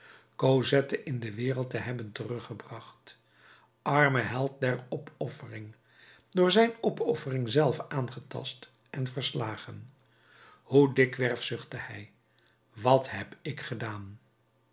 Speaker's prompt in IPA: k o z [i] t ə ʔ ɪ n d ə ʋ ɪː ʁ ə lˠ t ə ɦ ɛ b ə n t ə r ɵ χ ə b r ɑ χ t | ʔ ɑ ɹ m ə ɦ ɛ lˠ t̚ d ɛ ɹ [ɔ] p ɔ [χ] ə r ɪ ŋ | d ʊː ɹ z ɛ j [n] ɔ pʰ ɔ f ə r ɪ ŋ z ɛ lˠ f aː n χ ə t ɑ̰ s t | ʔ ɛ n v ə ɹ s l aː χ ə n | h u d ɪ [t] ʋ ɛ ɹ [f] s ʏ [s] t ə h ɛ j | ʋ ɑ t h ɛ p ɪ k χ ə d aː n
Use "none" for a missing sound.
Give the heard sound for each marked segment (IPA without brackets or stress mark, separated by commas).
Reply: ɛ, ɔ, f, n, k, f, χ